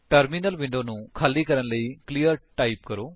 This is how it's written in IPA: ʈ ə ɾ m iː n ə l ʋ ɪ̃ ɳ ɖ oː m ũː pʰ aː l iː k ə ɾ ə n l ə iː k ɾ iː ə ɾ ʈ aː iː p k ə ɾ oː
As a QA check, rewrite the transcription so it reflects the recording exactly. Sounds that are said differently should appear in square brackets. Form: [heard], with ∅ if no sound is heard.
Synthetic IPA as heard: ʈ ə ɾ m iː n ə l ʋ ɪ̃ ɳ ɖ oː [n] ũː [kʰ] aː l iː k ə ɾ ə n l ə iː k [l] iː ə ɾ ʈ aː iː p k ə ɾ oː